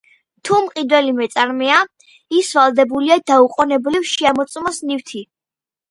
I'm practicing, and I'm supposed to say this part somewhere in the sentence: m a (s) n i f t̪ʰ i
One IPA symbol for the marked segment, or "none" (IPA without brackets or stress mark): s